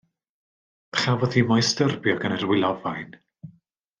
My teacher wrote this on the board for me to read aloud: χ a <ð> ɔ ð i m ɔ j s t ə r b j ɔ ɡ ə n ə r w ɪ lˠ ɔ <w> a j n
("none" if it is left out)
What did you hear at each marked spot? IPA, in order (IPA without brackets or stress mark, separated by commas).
v, v